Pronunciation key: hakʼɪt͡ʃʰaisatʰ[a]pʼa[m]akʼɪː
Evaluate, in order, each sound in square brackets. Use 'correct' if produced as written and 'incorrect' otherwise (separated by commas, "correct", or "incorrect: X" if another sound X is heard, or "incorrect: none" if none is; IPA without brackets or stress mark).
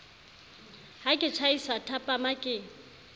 correct, correct